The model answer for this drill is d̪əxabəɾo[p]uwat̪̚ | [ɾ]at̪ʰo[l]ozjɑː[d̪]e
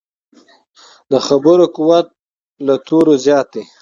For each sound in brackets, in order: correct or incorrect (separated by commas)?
incorrect, incorrect, incorrect, incorrect